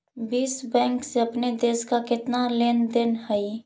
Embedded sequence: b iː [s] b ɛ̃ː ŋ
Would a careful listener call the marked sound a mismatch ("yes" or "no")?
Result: no